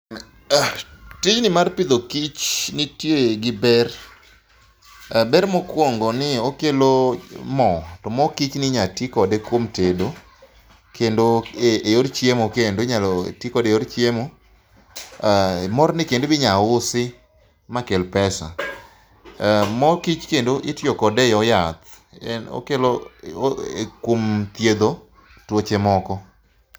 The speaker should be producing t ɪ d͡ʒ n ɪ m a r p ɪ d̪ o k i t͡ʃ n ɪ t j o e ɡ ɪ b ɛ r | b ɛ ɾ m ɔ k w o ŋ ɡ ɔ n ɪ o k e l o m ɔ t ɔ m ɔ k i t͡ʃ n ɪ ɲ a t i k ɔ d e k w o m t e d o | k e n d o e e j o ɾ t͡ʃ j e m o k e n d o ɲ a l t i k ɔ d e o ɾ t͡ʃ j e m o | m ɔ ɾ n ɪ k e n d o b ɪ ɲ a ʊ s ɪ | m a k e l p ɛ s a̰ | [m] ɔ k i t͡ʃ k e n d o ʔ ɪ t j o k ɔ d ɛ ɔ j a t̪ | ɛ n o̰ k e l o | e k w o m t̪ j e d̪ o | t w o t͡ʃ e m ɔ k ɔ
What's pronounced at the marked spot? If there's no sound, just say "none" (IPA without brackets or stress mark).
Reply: m